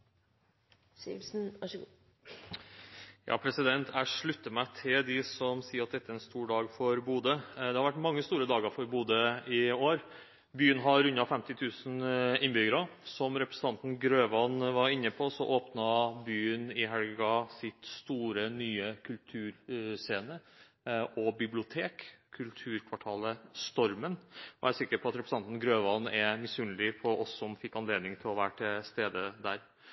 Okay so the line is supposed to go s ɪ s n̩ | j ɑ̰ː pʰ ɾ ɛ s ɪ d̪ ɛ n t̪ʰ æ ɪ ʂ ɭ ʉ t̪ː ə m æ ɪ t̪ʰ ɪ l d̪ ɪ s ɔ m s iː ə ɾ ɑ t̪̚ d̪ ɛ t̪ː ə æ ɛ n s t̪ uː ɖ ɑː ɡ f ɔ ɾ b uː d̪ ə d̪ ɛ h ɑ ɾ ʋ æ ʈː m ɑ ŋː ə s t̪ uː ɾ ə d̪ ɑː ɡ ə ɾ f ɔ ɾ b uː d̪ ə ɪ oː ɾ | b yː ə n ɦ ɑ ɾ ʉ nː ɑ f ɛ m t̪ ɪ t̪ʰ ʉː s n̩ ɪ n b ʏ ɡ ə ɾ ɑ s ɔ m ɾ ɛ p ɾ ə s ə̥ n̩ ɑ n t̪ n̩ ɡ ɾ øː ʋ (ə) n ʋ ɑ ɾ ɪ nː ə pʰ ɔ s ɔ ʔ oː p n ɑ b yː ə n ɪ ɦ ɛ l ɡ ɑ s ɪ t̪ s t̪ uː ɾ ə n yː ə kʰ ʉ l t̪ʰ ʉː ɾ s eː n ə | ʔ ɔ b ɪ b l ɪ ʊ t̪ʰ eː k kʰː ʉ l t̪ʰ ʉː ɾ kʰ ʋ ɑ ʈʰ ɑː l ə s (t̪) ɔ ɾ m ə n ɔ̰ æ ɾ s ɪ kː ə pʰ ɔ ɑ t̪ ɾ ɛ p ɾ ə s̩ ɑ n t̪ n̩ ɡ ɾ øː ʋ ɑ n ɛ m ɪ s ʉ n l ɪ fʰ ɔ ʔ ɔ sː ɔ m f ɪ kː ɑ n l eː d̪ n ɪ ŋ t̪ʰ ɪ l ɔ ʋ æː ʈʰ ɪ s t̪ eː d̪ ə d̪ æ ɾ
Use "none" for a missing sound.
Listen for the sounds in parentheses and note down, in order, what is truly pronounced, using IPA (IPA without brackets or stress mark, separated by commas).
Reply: ɑ, t̪